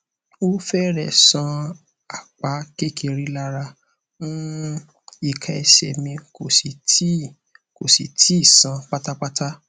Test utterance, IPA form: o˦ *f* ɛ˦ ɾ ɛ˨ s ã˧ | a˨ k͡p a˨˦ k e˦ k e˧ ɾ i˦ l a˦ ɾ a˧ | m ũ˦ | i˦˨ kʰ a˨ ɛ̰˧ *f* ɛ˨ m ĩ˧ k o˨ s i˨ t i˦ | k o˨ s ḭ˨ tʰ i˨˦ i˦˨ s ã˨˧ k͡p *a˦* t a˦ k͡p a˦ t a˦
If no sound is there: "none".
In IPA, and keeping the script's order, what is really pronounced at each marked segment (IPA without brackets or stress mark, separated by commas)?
f, ʃ, a˦